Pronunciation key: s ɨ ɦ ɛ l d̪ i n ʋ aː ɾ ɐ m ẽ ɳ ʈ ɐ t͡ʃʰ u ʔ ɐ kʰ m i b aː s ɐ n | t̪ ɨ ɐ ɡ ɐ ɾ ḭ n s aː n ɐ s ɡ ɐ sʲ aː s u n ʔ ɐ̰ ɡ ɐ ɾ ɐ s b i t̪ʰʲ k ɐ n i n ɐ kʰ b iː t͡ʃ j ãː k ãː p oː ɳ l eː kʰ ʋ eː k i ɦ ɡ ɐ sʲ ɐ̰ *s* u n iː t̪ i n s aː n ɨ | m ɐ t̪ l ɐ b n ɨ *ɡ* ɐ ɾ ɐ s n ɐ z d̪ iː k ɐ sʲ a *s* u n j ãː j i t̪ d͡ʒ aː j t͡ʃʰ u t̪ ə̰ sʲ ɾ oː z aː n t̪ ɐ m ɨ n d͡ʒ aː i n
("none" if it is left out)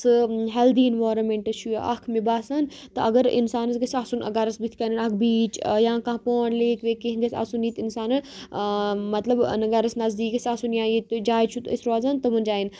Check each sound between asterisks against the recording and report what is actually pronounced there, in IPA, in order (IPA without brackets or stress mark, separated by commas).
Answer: s, ɡ, s